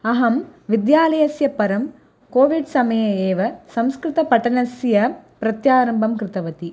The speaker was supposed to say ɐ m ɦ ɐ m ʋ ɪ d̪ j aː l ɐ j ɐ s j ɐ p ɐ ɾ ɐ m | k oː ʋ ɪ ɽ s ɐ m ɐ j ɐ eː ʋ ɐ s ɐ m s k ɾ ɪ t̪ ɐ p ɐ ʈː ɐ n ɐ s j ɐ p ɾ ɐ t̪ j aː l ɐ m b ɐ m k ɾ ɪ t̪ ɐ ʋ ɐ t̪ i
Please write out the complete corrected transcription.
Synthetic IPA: ɐ ɦ ɐ m ʋ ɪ d̪ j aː l ɐ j ɐ s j ɐ p ɐ ɾ ɐ m | k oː ʋ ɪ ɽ s ɐ m ɐ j ɐ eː ʋ ɐ s ɐ m s k ɾ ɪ t̪ ɐ p ɐ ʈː ɐ n ɐ s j ɐ p ɾ ɐ t̪ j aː ɾ ɐ m b ɐ m k ɾ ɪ t̪ ɐ ʋ ɐ t̪ i